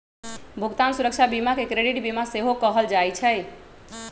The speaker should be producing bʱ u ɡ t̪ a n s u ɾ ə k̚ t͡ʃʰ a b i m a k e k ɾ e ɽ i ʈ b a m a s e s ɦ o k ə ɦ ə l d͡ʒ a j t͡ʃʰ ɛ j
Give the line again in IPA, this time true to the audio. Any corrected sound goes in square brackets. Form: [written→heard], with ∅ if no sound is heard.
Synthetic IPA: bʱ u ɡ t̪ a n s u ɾ ə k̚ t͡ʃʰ a b i m a k e k ɾ e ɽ i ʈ b [a→i] m a s e [s→∅] ɦ o k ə ɦ ə l d͡ʒ a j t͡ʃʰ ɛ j